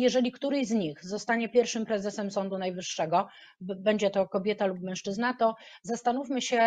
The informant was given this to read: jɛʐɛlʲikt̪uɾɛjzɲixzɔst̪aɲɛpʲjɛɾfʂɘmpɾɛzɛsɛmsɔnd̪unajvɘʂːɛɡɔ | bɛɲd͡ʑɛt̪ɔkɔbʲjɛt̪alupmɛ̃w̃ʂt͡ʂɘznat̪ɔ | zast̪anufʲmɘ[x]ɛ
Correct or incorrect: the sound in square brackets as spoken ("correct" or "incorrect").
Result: incorrect